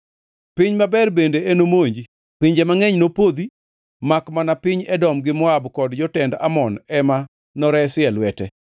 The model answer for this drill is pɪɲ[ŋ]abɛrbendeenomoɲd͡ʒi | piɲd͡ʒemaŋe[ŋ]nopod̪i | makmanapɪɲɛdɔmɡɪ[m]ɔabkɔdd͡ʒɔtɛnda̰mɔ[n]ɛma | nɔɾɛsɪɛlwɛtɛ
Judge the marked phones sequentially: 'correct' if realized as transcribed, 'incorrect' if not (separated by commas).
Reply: incorrect, incorrect, correct, correct